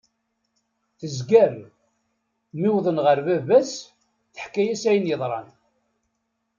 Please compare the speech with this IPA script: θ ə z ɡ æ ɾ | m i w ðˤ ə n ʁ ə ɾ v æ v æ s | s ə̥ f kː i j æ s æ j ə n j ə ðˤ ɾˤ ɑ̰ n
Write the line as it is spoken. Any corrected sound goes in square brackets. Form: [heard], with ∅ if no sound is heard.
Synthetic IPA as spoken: θ ə z ɡ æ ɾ | m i w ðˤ ə n ʁ ə ɾ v æ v æ s | [θ] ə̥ [ħ] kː [æ] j æ s æ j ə n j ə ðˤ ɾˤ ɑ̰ n